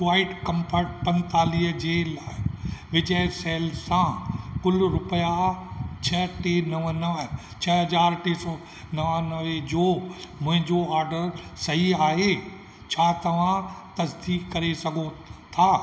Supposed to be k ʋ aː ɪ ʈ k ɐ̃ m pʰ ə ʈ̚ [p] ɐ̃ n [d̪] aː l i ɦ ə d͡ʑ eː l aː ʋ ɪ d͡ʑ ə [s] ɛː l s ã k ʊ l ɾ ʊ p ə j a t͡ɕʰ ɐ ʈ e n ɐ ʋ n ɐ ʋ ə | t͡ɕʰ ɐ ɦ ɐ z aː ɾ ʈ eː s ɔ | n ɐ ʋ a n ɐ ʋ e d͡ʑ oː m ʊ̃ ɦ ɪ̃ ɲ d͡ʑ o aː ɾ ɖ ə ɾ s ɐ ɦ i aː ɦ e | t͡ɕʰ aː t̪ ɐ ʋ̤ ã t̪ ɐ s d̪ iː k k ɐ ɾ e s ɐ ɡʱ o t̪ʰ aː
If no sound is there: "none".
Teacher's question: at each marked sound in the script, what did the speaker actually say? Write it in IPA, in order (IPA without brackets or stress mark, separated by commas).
p, t̪, s